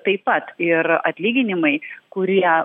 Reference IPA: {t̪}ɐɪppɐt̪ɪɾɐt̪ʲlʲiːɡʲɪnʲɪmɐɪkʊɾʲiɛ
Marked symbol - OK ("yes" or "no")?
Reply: yes